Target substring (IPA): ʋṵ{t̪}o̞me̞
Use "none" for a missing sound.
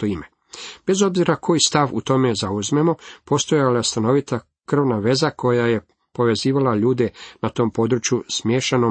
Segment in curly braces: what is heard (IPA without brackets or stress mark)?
t̪